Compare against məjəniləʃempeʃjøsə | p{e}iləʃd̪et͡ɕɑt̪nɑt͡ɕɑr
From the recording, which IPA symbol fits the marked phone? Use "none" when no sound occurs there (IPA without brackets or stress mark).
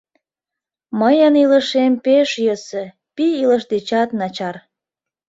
i